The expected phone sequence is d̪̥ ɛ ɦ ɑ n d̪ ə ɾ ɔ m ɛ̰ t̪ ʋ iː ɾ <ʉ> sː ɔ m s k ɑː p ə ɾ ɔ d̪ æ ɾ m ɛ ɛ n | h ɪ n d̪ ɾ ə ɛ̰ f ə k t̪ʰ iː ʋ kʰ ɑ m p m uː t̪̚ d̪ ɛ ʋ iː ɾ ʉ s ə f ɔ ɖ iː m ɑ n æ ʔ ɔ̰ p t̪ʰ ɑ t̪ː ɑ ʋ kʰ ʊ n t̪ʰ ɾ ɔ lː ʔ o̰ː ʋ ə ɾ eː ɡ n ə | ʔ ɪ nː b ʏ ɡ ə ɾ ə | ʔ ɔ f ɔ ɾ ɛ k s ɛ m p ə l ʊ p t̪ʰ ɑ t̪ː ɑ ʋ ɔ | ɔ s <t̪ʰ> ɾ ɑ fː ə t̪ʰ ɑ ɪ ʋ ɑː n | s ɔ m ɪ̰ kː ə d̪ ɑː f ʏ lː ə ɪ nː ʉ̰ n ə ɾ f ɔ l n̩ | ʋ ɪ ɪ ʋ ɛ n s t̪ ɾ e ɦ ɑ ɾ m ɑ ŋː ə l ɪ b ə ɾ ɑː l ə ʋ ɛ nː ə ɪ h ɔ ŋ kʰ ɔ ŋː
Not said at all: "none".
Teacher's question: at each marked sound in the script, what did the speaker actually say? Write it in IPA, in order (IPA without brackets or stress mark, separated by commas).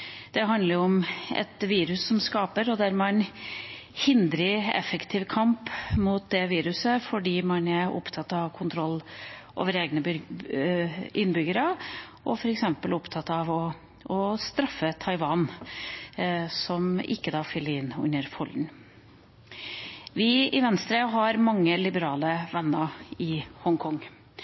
ʉ, t̪